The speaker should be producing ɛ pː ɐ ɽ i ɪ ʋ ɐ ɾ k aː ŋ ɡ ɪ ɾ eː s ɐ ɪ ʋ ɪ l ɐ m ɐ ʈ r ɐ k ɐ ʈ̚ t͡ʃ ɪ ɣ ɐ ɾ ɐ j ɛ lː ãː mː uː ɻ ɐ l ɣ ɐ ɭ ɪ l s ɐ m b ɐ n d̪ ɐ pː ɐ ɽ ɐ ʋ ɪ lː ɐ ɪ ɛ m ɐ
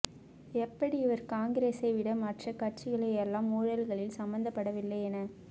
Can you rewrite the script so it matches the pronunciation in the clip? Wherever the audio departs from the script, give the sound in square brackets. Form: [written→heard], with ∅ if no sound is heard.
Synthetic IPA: ɛ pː ɐ ɽ i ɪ ʋ ɐ ɾ k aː ŋ ɡ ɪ ɾ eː s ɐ ɪ ʋ ɪ [l→ɽ] ɐ m ɐ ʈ r ɐ k ɐ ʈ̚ t͡ʃ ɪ ɣ ɐ [ɾ→ɭ] ɐ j ɛ lː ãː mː uː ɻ ɐ l ɣ ɐ ɭ ɪ l s ɐ m b ɐ n d̪ ɐ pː ɐ ɽ ɐ ʋ ɪ lː ɐ ɪ ɛ [m→n] ɐ